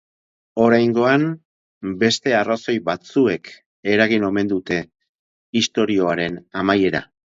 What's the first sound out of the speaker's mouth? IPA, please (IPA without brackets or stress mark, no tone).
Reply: o̞